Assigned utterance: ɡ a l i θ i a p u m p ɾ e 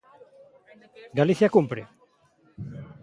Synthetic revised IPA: ɡ a l i θ j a k u m p ɾ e